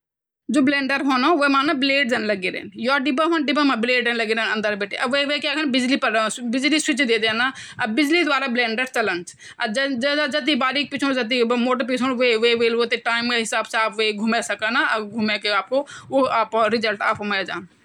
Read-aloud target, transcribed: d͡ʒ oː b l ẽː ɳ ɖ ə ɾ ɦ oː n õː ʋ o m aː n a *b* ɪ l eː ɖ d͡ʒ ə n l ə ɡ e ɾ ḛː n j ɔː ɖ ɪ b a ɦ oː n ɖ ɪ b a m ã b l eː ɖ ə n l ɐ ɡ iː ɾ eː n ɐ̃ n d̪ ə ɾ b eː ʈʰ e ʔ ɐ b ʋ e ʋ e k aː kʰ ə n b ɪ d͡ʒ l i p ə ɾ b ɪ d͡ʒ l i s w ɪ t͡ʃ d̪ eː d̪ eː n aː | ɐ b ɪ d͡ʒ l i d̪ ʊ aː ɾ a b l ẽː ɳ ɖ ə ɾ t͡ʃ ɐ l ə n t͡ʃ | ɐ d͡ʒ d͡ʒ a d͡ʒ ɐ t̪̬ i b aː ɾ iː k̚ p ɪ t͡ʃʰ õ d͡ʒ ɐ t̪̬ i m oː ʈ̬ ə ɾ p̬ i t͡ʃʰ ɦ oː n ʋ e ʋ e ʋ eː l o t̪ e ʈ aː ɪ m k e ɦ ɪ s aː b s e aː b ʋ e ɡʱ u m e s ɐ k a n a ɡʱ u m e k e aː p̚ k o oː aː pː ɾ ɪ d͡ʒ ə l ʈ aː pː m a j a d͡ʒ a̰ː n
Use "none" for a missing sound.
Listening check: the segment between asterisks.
b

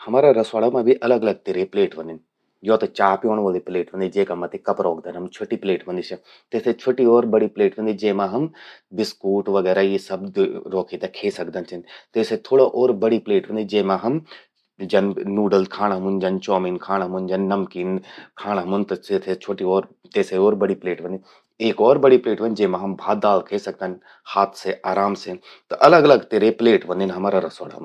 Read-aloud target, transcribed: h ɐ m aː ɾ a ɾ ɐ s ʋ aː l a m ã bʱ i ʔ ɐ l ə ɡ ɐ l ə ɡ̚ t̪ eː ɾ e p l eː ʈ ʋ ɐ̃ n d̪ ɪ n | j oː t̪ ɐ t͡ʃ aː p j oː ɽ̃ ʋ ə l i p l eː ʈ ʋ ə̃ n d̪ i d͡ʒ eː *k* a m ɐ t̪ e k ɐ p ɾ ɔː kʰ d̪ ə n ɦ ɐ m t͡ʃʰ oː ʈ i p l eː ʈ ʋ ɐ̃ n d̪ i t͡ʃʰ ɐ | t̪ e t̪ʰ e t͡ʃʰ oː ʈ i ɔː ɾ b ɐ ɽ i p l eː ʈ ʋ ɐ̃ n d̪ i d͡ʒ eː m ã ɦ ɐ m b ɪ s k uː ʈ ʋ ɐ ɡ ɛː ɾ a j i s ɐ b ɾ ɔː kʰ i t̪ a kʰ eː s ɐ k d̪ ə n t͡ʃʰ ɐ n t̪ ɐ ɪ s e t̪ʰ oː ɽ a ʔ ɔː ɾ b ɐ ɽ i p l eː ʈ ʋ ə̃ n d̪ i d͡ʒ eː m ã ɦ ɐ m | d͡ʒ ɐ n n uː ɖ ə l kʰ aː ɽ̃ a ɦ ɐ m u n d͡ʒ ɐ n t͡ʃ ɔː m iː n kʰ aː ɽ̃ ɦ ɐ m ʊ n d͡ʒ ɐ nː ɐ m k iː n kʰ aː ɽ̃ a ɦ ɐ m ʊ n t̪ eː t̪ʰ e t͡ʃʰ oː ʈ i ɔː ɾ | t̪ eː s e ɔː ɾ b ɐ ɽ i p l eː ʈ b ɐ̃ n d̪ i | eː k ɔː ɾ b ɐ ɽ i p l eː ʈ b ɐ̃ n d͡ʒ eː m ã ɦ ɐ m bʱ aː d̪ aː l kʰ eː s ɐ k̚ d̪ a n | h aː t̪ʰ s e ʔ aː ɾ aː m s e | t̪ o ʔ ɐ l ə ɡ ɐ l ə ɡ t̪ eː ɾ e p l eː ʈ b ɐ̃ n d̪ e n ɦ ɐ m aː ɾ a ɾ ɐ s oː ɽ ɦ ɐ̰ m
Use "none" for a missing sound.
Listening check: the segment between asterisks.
k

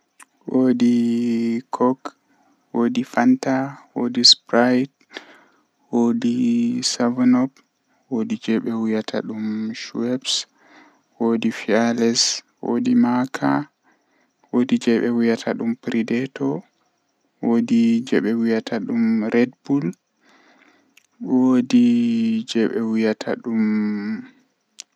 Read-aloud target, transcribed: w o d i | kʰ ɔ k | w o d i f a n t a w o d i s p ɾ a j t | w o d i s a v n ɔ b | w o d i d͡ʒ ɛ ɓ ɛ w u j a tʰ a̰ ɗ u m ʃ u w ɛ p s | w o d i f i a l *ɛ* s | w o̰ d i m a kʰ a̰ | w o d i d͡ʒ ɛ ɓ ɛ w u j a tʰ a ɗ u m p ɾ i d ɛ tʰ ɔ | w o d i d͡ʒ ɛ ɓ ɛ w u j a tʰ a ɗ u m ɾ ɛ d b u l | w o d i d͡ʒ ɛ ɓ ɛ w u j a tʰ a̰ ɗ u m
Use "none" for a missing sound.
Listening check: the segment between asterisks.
ɛ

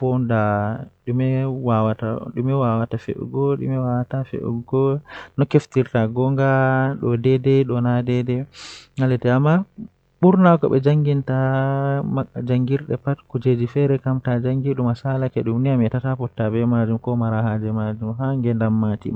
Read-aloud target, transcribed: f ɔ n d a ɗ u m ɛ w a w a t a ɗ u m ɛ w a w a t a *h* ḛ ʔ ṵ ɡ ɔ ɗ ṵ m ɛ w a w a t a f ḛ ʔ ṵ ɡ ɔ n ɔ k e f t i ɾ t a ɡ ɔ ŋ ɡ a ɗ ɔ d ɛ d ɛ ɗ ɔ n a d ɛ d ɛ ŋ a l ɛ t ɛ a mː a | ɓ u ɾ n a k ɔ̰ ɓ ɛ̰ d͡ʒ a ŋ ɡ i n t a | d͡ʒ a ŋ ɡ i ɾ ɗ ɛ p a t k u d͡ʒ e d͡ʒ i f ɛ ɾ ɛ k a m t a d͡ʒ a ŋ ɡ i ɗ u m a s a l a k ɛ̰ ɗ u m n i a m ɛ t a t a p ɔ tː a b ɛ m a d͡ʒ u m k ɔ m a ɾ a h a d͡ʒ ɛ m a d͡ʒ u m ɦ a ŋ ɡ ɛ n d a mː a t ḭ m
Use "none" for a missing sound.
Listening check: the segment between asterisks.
f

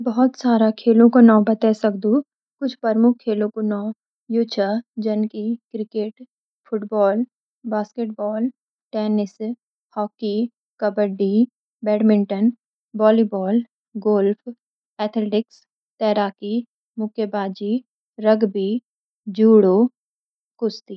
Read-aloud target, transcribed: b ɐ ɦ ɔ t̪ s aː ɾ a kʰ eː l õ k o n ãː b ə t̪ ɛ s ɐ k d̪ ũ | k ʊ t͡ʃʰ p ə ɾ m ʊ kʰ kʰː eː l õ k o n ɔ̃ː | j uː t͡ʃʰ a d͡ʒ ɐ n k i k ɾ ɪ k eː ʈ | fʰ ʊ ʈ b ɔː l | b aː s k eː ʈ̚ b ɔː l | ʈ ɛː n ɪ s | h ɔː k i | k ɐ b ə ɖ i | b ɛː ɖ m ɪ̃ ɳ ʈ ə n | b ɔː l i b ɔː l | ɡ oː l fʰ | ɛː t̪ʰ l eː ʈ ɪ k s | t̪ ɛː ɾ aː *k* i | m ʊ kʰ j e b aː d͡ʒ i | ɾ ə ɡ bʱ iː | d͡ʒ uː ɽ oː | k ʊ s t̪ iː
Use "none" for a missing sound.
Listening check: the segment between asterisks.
k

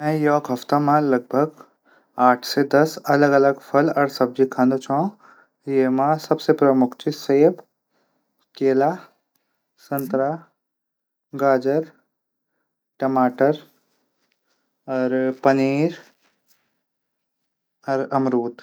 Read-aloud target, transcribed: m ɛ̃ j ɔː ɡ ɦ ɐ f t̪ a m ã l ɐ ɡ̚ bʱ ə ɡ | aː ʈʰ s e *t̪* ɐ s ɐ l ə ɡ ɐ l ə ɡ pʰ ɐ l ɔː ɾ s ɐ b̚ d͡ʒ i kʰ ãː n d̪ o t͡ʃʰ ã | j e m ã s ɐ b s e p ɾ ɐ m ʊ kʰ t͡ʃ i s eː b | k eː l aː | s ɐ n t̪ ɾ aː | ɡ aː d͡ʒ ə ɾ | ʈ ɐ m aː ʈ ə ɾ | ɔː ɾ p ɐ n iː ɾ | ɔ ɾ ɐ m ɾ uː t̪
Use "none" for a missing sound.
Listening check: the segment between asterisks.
d̪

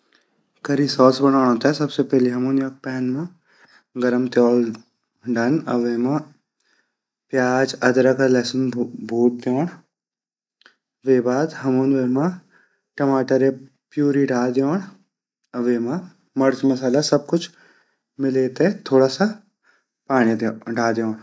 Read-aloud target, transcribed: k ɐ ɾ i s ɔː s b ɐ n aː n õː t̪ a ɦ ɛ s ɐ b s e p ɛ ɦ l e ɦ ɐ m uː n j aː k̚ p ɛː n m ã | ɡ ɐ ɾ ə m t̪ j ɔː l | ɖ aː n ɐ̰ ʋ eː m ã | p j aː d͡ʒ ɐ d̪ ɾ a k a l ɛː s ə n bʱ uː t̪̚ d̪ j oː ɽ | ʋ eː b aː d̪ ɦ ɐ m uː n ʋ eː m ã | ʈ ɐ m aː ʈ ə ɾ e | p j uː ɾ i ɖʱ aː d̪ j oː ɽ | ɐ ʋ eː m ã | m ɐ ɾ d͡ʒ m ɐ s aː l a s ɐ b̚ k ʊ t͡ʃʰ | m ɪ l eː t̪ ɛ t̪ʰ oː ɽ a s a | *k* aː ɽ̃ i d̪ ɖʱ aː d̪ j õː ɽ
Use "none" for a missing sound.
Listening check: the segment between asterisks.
p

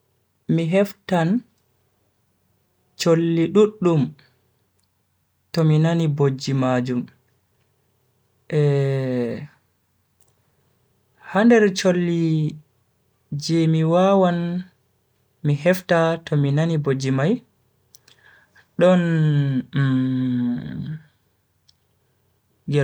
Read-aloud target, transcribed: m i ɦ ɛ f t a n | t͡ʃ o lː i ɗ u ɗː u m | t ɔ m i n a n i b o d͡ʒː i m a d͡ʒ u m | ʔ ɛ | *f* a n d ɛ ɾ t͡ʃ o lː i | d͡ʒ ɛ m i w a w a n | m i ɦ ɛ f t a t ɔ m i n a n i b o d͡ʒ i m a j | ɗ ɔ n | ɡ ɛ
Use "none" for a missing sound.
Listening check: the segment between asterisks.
h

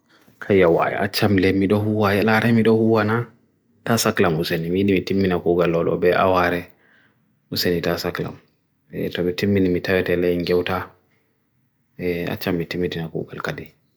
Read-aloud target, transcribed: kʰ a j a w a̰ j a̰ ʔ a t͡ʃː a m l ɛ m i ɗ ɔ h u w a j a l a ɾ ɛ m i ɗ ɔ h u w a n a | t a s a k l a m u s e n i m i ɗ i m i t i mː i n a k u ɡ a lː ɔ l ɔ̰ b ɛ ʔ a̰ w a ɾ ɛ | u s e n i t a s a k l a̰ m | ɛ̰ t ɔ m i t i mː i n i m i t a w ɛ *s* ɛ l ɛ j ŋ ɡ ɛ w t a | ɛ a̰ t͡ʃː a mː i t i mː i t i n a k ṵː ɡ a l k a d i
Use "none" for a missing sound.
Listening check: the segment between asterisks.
t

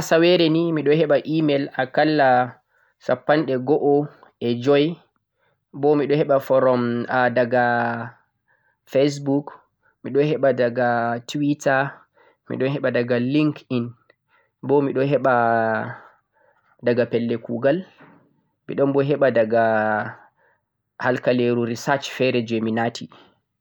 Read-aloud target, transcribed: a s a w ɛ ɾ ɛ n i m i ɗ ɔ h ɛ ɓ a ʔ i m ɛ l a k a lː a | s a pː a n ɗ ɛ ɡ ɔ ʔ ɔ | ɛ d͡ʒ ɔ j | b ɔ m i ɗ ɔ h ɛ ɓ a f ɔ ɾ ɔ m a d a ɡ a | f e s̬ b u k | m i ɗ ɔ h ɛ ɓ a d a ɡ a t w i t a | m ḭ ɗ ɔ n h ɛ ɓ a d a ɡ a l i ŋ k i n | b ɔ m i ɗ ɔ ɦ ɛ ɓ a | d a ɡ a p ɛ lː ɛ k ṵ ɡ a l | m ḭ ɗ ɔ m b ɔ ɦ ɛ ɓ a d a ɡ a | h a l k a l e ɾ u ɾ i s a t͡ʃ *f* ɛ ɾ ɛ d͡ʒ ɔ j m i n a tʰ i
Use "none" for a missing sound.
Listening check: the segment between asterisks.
f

